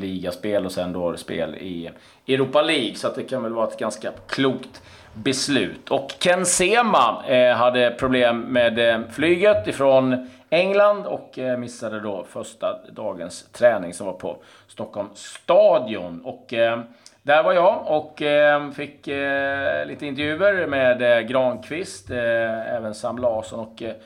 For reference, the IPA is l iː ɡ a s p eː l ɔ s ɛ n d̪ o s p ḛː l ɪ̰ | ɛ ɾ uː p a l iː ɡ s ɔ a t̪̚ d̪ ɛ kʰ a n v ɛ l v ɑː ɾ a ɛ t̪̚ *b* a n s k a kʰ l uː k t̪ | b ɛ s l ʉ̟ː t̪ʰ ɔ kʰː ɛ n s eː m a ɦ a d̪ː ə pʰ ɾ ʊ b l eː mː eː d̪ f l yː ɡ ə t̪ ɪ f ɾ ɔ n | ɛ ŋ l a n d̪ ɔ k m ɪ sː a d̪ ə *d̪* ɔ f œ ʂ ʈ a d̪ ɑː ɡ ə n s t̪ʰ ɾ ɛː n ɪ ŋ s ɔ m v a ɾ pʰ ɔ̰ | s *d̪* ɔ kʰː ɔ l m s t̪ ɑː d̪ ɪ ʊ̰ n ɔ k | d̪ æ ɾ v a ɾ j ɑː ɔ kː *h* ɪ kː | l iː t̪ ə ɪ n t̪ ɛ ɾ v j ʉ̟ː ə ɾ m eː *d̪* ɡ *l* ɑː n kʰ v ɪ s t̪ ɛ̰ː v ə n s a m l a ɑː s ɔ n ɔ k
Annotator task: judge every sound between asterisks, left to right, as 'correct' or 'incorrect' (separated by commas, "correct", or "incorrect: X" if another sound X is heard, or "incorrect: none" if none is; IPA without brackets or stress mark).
incorrect: ɡ, correct, incorrect: t̪, incorrect: f, correct, incorrect: ɾ